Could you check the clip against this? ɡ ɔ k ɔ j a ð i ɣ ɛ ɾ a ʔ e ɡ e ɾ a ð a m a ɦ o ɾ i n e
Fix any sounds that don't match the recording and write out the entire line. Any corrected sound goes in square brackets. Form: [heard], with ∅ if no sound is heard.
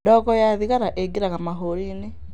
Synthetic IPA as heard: [d] ɔ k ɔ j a ð i ɣ [a] ɾ a ʔ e ɡ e ɾ a [ɣ] a m a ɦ o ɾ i n e

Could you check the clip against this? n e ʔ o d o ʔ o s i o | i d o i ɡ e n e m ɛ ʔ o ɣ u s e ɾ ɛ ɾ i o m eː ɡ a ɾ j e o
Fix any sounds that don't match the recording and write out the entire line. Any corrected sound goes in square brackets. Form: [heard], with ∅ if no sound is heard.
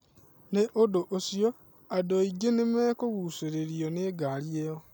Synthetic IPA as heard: n e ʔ o d o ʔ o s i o | [a] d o i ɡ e n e m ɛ [k] o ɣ u s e ɾ [e] ɾ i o [n] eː ɡ a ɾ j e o

